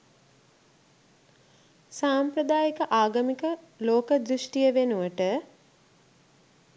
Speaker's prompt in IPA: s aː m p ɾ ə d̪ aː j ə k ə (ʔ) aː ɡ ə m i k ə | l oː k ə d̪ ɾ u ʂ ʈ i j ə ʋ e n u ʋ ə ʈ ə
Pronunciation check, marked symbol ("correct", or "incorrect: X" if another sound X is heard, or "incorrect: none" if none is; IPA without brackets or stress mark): correct